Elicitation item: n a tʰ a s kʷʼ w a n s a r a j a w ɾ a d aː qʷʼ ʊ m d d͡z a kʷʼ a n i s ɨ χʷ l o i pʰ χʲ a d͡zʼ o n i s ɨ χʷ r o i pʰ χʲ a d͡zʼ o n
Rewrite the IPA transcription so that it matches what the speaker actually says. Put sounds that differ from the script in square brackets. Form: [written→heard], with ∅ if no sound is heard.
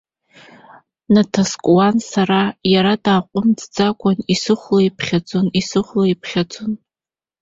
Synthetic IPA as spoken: n a tʰ a s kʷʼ w a n s a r a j a [w→∅] ɾ a d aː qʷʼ ʊ m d d͡z a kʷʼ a n i s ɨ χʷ l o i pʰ χʲ a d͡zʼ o n i s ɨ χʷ [r→l] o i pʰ χʲ a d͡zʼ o n

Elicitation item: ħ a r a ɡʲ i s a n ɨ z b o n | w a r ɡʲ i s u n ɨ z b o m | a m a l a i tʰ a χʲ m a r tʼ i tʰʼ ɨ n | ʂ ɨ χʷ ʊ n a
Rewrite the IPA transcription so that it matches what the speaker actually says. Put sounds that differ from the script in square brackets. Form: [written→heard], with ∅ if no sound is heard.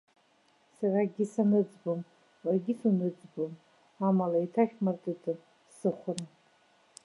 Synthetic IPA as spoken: [ħ→s] a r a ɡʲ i s a n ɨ [z→d͡z] b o [n→m] | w a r ɡʲ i s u n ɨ [z→d͡z] b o m | a m a l a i tʰ a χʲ m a r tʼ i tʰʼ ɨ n | [ʂ→s] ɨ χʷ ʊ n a

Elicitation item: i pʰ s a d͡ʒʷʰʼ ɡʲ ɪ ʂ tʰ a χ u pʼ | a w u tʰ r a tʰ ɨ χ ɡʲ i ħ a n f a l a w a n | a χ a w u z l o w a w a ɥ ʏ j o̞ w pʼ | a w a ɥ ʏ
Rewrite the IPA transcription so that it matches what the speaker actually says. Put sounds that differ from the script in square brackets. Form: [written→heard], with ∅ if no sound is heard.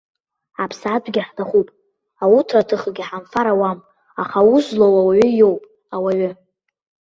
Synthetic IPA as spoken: [i→a] pʰ s a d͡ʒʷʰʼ ɡʲ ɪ [ʂ→ħ] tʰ a χ u pʼ | a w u tʰ r a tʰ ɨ χ ɡʲ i ħ a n f a [l→ɾ] a w a [n→m] | a χ a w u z l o w a w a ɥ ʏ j o̞ w pʼ | a w a ɥ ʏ

